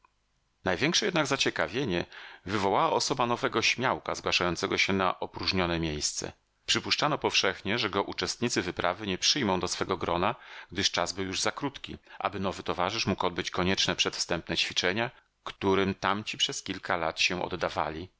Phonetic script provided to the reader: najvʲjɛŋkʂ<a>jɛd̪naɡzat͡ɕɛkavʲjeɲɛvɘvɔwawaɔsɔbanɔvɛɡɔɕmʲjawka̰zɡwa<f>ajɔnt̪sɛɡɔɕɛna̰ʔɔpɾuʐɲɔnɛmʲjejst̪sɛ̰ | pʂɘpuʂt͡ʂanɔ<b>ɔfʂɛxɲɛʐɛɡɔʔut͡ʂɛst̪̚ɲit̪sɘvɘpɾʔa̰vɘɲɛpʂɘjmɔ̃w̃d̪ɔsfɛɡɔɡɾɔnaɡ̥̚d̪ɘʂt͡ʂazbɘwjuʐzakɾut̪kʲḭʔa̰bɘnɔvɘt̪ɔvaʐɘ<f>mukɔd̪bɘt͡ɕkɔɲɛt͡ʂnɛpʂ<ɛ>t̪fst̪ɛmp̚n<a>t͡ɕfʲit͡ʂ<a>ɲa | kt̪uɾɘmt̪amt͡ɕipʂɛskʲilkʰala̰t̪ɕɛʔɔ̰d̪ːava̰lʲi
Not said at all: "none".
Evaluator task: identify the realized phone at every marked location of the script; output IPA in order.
ɛ, ʂ, p, ʂ, ɛ, ɛ, ɛ

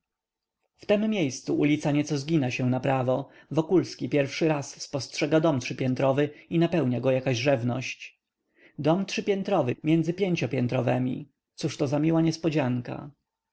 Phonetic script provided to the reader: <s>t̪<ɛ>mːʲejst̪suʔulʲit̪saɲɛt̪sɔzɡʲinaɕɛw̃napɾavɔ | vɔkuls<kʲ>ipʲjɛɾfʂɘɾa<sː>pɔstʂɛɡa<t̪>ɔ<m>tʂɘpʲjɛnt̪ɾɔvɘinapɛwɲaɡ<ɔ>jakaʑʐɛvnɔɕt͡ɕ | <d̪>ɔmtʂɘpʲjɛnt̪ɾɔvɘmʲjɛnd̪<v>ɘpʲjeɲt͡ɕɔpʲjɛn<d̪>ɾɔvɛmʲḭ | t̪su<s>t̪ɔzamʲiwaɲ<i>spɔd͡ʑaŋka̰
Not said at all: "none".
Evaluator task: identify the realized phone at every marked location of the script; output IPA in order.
f, ɛ, kʲ, sː, d̪, m, ɔ, d̪, z, t̪, ʂ, ɛ

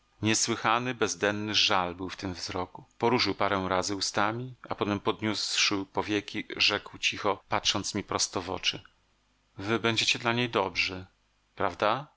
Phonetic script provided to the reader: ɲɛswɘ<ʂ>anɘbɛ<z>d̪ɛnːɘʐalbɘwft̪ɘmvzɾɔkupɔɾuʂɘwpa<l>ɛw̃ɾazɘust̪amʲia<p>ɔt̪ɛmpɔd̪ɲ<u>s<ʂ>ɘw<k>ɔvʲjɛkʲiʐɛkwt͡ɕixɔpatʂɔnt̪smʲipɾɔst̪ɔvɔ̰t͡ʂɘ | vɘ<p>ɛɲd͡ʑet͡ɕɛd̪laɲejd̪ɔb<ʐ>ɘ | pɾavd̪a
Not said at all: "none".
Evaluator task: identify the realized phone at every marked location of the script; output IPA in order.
x, z, ɾ, p, u, ʂ, p, b, ʐ

